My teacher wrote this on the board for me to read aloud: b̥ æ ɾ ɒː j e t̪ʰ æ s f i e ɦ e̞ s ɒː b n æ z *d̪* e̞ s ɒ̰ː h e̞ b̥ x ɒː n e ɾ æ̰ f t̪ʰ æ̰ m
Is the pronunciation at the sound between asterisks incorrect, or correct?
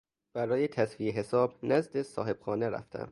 correct